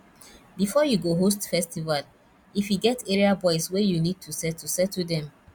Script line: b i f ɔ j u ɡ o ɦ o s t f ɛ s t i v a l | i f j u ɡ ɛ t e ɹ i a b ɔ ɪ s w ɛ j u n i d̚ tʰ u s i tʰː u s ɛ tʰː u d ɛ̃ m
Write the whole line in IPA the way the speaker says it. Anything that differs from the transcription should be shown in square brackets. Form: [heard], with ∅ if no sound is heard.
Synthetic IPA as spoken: b i f ɔ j u ɡ o ɦ o s t f ɛ s t i v a l | i f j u ɡ ɛ t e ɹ i a b ɔ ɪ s w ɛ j u n i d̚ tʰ u s [ɛ] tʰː u s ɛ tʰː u d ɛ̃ m